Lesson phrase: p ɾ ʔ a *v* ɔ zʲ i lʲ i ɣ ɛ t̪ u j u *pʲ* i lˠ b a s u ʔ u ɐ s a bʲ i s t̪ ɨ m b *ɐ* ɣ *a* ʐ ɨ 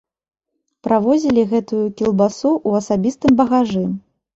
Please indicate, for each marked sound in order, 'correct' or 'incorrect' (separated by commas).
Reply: correct, incorrect, correct, correct